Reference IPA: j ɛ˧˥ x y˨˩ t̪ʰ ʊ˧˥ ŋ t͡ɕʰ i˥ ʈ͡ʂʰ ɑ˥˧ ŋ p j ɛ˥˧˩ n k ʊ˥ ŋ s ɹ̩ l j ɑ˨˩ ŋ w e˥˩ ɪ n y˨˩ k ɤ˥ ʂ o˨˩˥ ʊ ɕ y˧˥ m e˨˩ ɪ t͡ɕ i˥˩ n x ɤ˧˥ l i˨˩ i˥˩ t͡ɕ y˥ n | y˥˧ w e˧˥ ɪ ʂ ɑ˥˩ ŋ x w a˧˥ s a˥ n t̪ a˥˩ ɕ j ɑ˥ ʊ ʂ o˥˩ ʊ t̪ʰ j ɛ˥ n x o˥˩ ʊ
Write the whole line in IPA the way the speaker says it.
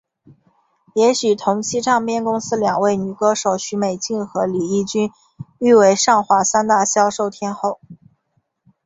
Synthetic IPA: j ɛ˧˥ ɕ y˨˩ t̪ʰ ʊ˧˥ ŋ t͡ɕʰ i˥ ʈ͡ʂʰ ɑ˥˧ ŋ p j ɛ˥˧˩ n k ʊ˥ ŋ s ɹ̩ l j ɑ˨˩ ŋ w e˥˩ ɪ n y˨˩ k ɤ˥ ʂ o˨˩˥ ʊ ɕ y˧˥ m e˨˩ ɪ t͡ɕ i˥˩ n x ɤ˧˥ l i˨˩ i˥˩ t͡ɕ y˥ n | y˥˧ w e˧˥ ɪ ʂ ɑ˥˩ ŋ x w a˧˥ s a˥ n t̪ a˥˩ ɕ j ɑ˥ ʊ ʂ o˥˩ ʊ t̪ʰ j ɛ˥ n x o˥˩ ʊ